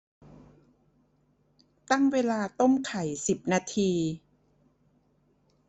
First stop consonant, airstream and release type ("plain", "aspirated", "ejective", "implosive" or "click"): plain